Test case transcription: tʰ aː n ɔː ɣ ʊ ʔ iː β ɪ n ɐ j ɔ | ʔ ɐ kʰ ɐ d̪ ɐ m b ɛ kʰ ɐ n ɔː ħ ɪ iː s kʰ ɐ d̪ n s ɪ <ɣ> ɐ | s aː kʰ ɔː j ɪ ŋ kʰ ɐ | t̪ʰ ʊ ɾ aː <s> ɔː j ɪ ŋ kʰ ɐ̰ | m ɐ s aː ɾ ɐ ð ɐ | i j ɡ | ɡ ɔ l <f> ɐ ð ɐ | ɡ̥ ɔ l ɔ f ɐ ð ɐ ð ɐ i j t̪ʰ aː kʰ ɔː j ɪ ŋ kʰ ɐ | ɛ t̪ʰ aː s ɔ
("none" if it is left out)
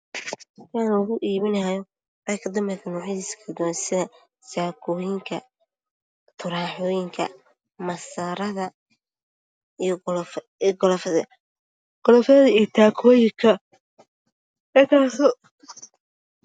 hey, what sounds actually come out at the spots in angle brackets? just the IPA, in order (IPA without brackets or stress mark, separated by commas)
ð, ħ, f